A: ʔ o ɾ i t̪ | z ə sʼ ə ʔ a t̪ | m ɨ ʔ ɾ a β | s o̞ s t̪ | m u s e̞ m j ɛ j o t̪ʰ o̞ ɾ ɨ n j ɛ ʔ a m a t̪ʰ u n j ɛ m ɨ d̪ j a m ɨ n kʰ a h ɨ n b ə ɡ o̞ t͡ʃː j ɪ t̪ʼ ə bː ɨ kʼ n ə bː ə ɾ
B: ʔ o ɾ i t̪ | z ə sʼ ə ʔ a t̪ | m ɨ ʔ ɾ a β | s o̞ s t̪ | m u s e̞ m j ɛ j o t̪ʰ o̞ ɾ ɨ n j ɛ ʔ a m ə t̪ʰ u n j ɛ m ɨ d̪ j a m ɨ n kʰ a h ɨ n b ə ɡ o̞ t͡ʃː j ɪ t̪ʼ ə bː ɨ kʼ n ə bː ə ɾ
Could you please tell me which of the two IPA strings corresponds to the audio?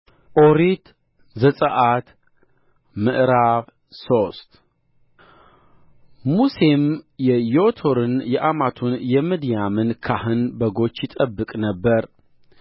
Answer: A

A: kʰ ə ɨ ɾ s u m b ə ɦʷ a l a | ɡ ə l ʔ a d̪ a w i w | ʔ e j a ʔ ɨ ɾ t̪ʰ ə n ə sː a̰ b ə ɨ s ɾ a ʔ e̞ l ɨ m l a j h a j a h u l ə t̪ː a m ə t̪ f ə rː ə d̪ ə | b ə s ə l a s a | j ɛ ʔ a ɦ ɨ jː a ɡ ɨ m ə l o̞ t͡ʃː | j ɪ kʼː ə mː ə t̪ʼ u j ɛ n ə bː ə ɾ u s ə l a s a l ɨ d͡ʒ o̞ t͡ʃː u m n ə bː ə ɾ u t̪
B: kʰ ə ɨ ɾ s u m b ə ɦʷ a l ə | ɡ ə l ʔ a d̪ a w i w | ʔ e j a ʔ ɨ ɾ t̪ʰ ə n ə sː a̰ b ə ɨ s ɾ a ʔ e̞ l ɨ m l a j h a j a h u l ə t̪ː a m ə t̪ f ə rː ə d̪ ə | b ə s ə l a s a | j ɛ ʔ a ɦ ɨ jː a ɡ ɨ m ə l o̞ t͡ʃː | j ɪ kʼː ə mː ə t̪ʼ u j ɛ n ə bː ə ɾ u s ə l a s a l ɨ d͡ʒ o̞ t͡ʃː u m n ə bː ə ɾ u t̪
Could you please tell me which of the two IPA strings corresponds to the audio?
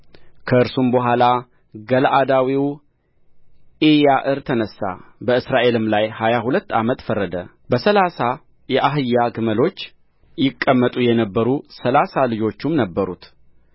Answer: A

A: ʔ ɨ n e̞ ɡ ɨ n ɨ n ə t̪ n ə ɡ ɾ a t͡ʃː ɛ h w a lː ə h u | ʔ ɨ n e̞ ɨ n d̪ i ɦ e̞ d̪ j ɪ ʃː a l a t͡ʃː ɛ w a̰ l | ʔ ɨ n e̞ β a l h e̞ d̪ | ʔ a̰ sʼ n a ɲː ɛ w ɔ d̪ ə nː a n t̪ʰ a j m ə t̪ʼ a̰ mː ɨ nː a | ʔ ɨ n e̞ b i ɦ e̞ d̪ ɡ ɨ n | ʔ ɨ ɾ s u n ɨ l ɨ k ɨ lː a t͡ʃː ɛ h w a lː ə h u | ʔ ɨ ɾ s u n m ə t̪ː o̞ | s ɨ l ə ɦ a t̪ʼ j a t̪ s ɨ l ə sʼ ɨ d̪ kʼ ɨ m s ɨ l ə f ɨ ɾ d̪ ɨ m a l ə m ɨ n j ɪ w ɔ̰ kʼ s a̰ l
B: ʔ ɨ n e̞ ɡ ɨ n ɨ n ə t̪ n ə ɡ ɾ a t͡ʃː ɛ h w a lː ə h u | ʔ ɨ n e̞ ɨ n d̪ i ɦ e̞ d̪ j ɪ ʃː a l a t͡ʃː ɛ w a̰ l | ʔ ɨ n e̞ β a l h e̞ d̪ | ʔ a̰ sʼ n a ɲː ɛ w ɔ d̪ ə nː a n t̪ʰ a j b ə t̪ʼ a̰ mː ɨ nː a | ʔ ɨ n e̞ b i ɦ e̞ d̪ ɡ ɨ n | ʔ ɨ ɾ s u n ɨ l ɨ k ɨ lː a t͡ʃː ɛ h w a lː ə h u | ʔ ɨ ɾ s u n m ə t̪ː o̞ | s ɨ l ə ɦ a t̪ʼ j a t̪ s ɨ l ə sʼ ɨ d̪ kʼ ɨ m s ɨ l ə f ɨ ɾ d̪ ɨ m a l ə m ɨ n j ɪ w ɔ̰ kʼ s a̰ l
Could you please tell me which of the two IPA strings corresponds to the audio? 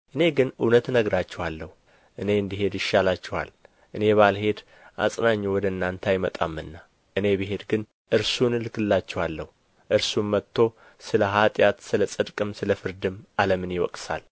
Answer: A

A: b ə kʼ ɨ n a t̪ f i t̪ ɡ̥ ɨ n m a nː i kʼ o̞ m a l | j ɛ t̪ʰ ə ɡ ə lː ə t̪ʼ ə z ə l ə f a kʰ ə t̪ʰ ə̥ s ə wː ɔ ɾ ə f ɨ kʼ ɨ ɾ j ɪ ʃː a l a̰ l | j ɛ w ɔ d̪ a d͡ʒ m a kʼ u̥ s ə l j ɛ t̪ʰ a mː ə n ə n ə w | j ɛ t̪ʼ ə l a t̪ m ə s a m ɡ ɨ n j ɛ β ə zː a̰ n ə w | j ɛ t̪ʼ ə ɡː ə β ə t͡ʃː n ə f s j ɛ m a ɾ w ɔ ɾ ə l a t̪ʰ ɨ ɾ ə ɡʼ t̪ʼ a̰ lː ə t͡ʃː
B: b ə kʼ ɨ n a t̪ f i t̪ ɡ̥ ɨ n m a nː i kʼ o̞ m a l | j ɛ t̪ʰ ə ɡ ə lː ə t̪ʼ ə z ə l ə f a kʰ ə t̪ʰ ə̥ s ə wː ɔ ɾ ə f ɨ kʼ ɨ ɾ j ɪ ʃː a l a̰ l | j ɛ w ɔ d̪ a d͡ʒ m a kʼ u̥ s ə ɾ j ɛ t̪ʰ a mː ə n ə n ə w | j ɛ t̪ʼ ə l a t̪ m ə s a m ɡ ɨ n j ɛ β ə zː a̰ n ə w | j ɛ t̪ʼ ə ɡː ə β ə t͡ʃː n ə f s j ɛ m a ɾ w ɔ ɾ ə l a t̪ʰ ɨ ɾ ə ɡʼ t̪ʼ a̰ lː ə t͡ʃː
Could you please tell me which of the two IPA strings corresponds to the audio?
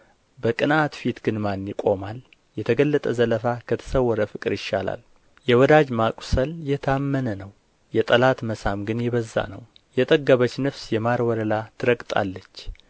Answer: A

